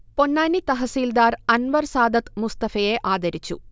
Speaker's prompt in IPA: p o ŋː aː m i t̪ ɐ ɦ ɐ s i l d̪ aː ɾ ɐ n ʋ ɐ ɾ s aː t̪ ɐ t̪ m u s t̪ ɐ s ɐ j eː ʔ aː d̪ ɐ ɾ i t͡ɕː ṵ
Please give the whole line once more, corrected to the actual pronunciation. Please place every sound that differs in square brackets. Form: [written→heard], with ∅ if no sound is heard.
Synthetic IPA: p o [ŋː→nː] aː [m→n] i t̪ ɐ ɦ ɐ s [i→iː] l d̪ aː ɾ ɐ n ʋ ɐ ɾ s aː [t̪→d̪] ɐ t̪ m u s t̪ ɐ [s→f] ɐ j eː ʔ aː d̪ ɐ ɾ i t͡ɕː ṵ

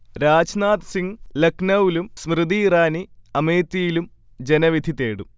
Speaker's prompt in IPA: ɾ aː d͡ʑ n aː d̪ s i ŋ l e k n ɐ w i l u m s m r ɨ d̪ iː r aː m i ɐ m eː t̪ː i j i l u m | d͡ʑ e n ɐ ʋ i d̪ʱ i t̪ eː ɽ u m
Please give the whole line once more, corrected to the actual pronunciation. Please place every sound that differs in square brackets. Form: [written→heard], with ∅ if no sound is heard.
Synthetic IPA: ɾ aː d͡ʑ n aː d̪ s i ŋ l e k n ɐ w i l u m s m r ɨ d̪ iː r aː [m→n] i ɐ m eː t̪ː i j i l u m | d͡ʑ e n ɐ ʋ i d̪ʱ i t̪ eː ɽ u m

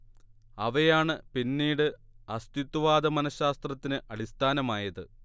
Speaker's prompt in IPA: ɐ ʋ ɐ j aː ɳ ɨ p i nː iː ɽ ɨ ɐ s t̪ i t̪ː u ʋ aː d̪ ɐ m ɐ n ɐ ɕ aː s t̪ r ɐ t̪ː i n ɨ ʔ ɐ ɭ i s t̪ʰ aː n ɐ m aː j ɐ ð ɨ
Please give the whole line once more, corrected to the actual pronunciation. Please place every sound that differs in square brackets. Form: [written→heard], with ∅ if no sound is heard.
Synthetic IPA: ɐ ʋ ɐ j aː ɳ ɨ p i nː iː ɽ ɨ ɐ s t̪ i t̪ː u ʋ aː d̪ ɐ m ɐ n ɐ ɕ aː s t̪ r ɐ t̪ː i n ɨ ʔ ɐ [ɭ→ɽ] i s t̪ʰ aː n ɐ m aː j ɐ ð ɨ

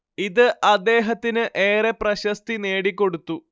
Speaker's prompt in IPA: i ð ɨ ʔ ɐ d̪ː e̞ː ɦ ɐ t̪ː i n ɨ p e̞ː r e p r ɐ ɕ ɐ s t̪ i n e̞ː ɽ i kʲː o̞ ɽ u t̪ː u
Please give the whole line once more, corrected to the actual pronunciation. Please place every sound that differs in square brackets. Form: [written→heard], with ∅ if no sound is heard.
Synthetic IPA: i ð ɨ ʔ ɐ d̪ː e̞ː ɦ ɐ t̪ː i n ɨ [p→ʔ] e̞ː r e p r ɐ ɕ ɐ s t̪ i n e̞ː ɽ i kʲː o̞ ɽ u t̪ː u

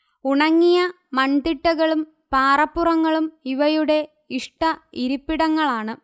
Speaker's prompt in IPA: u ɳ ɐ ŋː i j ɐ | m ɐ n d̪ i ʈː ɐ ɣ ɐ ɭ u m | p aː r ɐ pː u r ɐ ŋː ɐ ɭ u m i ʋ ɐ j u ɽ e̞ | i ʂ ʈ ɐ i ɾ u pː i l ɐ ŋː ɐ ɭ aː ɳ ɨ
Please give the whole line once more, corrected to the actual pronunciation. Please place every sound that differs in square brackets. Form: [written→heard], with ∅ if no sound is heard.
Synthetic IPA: u ɳ ɐ ŋː i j ɐ | m ɐ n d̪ i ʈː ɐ ɣ ɐ ɭ u m | p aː r ɐ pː u r ɐ ŋː ɐ ɭ u m i ʋ ɐ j u ɽ e̞ | i ʂ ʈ ɐ i ɾ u pː i [l→ɽ] ɐ ŋː ɐ ɭ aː ɳ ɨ

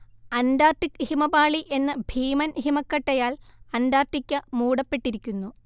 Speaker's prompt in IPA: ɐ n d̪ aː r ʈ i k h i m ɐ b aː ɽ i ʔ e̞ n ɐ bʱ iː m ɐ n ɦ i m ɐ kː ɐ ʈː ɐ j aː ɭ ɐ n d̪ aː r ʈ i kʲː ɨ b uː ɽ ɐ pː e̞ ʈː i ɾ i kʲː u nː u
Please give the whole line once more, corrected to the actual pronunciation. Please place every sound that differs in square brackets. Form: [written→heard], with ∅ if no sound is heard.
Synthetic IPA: ɐ n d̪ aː r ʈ i k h i m ɐ b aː [ɽ→ɭ] i ʔ e̞ [n→nː] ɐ bʱ iː m ɐ n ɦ i m ɐ kː ɐ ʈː ɐ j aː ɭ ɐ n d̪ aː r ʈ i kʲː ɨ [b→m] uː ɽ ɐ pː e̞ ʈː i ɾ i kʲː u nː u

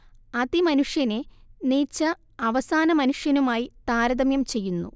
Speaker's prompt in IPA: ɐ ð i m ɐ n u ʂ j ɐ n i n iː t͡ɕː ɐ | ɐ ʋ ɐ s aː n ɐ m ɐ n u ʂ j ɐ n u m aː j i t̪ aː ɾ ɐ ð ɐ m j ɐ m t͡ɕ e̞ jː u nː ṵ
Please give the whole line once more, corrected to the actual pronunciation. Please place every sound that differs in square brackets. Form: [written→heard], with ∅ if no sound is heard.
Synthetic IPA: ɐ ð i m ɐ n u ʂ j ɐ n [i→e] n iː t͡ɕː ɐ | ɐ ʋ ɐ s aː n ɐ m ɐ n u ʂ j ɐ n u m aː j i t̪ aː ɾ ɐ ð ɐ m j ɐ m t͡ɕ e̞ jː u nː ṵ

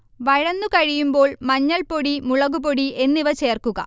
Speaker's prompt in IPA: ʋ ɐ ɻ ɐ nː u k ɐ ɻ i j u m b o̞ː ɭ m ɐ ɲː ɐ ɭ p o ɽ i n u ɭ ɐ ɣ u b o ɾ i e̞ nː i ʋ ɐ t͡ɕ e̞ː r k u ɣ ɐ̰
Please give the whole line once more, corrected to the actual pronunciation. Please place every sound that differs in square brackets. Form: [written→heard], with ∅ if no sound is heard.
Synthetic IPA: ʋ ɐ ɻ ɐ nː u k ɐ ɻ i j u m b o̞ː ɭ m ɐ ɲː ɐ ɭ p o ɽ i [n→m] u ɭ ɐ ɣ u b o [ɾ→ɽ] i e̞ nː i ʋ ɐ t͡ɕ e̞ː r k u ɣ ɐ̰

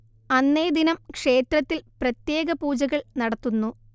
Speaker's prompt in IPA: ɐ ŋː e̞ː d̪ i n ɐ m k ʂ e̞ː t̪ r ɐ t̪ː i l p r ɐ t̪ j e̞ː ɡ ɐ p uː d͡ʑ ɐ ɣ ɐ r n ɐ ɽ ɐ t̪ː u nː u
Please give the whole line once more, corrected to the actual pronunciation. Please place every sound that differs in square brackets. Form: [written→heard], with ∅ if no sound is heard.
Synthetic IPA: ɐ [ŋː→nː] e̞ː d̪ i n ɐ m k ʂ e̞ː t̪ r ɐ t̪ː i l p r ɐ t̪ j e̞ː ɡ ɐ p uː d͡ʑ ɐ ɣ ɐ [r→ɭ] n ɐ ɽ ɐ t̪ː u nː u

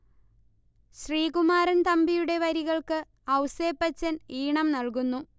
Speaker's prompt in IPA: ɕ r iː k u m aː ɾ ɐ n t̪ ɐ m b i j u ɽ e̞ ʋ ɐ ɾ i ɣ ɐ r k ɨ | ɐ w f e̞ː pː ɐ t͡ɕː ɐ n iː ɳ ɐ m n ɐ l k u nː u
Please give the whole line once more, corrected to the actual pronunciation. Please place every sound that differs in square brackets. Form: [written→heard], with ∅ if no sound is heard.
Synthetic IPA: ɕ r iː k u m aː ɾ ɐ n t̪ ɐ m b i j u ɽ e̞ ʋ ɐ ɾ i ɣ ɐ [r→ɭ] k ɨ | ɐ w [f→s] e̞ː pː ɐ t͡ɕː ɐ n iː ɳ ɐ m n ɐ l k u nː u

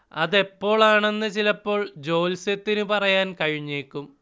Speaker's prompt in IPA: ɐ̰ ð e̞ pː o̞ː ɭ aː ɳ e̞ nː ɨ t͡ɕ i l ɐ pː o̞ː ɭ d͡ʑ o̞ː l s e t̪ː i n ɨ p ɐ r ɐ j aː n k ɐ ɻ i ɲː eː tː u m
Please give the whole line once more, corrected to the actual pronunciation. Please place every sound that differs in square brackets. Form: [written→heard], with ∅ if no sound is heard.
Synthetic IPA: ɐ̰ ð e̞ pː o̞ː ɭ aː ɳ e̞ nː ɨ t͡ɕ i l ɐ pː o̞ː ɭ d͡ʑ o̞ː l s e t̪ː i n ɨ p ɐ r ɐ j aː n k ɐ ɻ i ɲː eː [tː→kː] u m

